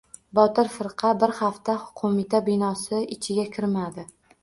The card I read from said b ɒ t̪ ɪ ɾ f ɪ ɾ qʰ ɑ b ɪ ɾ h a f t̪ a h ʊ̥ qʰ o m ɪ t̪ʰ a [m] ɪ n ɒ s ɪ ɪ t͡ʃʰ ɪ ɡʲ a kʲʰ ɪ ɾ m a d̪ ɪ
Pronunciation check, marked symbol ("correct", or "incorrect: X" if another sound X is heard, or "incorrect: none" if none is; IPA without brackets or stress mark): incorrect: b